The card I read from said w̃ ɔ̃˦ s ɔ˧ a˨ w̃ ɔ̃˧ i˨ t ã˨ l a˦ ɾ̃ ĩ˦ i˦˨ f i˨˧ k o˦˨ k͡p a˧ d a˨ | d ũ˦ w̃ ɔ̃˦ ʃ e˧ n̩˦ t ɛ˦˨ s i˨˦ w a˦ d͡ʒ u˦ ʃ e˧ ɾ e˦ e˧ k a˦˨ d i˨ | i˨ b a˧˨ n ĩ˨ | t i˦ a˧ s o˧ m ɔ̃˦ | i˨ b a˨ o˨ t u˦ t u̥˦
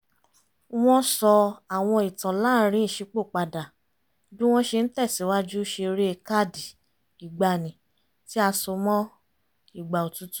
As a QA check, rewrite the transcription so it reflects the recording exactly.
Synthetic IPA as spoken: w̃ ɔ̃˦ s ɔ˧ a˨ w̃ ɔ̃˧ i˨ t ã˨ l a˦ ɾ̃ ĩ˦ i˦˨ ʃ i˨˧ k͡p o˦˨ k͡p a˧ d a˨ | d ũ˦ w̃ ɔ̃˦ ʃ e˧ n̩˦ t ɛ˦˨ s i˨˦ w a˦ d͡ʒ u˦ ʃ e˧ ɾ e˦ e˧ k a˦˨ d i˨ | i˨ ɡ͡b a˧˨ n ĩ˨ | t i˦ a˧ s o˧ m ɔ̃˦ | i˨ ɡ͡b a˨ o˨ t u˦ t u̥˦